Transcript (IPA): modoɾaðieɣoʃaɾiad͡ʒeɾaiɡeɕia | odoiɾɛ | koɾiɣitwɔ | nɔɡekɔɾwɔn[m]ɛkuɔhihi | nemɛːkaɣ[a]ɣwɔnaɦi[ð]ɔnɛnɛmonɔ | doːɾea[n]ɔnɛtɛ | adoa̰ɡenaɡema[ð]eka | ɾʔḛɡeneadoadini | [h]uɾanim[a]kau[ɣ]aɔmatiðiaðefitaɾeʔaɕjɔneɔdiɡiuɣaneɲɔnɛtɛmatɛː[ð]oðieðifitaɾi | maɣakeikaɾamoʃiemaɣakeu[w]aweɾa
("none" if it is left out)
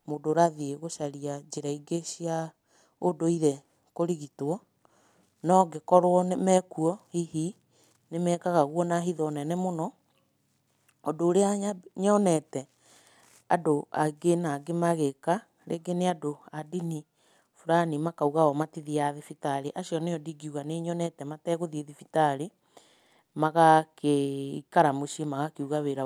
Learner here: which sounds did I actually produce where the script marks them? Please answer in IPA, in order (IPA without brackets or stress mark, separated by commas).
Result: m, a, ð, ɲ, ɣ, f, a, ɣ, ɣ, ɣ